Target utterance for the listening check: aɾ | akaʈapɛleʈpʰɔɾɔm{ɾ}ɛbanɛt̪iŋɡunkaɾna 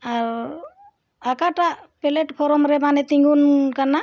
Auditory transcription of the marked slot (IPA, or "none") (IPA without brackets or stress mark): ɾ